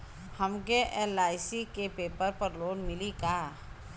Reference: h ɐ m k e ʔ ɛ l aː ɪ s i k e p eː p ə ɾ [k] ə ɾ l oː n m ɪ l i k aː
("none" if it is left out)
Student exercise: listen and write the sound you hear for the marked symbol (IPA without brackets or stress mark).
p